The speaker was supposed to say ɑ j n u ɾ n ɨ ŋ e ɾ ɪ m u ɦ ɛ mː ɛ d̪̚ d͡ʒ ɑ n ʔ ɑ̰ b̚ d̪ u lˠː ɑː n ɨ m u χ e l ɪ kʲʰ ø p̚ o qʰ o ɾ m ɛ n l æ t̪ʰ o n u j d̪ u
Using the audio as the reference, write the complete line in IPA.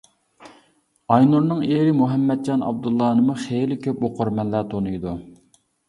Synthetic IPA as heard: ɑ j n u ɾ n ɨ ŋ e ɾ ɪ m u ɦ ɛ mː ɛ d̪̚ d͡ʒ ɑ n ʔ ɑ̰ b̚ d̪ u lˠː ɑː n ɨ m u χ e l ɪ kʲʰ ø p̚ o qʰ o ɾ m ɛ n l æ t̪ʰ o n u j d̪ u